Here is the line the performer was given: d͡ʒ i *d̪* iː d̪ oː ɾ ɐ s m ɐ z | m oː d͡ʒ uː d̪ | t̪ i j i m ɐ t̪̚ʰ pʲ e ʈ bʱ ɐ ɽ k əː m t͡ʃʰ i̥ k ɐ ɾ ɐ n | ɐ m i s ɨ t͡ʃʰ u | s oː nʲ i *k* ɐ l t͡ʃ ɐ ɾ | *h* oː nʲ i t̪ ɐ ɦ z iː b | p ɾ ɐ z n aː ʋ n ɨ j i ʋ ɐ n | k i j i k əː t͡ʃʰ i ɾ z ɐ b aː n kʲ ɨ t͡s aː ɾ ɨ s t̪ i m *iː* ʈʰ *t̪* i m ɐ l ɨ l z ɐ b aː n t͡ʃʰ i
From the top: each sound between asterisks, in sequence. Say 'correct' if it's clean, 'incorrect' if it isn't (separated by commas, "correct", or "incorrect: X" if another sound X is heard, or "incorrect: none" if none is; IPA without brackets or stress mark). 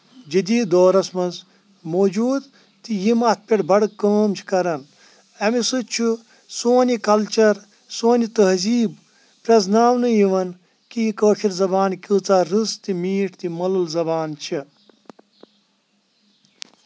correct, correct, incorrect: s, correct, correct